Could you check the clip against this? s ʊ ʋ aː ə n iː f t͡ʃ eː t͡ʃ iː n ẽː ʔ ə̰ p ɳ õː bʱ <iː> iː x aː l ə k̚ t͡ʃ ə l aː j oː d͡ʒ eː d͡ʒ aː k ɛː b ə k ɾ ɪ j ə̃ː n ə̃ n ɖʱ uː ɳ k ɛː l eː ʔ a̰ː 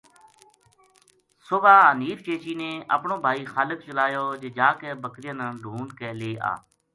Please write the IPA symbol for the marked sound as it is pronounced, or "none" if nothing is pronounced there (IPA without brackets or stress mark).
aː